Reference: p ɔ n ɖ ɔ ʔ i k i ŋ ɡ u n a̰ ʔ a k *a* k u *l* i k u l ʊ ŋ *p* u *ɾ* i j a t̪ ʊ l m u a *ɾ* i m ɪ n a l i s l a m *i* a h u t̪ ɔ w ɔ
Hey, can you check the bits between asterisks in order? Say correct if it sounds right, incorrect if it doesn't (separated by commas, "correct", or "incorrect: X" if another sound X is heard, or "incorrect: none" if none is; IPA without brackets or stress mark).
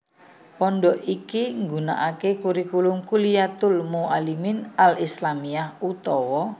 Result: incorrect: e, incorrect: ɾ, incorrect: k, incorrect: l, incorrect: l, correct